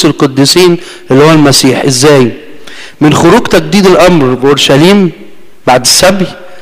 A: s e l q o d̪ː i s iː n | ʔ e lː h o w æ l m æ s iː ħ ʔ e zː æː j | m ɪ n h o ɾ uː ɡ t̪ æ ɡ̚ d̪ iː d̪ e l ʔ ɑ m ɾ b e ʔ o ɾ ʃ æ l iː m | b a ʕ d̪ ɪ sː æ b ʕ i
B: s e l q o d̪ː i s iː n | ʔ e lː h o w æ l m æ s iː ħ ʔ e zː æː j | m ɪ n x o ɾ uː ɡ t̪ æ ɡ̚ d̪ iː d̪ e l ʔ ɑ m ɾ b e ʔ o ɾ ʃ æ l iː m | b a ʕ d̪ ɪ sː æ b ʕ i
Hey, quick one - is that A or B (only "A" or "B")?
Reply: B